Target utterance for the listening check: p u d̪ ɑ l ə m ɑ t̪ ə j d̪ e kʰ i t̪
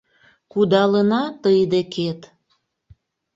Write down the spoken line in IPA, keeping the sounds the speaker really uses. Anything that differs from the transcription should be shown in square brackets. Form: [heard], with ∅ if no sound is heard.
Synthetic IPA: [k] u d̪ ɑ l ə [n] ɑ t̪ ə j d̪ e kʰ [e] t̪